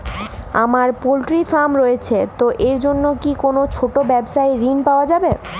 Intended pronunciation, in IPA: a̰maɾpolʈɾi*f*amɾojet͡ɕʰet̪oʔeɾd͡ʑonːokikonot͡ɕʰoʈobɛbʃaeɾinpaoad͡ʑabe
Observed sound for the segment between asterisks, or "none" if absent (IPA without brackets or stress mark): f